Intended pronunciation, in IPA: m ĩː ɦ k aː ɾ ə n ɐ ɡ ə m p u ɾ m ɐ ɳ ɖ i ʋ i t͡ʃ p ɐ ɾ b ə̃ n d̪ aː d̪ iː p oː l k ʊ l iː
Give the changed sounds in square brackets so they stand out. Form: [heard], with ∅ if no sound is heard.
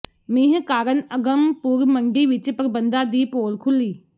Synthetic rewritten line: m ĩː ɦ k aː ɾ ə n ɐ ɡ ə m p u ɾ m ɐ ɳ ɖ i ʋ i t͡ʃ p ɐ ɾ b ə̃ n d̪ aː d̪ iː p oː l [kʰ] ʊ l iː